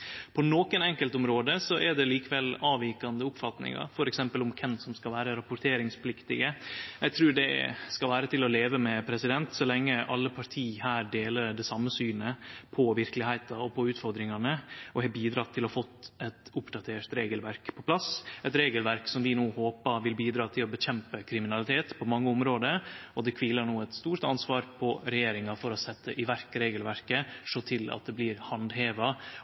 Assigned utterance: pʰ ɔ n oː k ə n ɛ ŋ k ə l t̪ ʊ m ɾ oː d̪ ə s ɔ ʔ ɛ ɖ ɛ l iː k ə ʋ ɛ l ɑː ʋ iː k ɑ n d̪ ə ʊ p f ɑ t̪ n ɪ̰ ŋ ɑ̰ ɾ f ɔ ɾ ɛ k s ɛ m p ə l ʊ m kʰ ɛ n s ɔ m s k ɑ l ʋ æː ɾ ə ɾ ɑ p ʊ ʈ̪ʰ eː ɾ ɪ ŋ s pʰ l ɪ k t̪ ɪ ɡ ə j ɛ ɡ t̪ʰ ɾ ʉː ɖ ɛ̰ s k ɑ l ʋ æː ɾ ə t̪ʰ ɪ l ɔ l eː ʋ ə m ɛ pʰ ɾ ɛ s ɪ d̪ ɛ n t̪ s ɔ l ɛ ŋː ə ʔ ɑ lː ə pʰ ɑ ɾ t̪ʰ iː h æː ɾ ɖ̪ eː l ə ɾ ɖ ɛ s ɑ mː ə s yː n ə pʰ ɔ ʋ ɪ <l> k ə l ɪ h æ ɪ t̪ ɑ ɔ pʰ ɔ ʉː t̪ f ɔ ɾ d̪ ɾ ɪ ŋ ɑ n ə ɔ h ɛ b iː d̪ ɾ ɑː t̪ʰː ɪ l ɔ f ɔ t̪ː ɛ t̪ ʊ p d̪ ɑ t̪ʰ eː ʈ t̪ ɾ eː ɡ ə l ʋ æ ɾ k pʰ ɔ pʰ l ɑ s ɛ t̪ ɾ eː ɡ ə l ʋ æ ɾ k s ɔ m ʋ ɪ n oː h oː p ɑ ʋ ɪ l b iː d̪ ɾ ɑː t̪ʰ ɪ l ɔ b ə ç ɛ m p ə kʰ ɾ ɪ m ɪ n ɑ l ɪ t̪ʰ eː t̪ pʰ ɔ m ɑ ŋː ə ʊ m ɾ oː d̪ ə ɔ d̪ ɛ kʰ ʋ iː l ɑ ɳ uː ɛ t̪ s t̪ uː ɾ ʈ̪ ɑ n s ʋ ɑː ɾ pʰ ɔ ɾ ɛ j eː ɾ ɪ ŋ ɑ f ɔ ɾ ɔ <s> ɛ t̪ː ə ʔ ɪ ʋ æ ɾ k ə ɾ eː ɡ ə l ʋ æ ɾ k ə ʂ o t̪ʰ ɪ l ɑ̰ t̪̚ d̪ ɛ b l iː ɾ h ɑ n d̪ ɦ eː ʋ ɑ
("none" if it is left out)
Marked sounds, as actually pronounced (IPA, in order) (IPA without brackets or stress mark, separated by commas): ɾ, s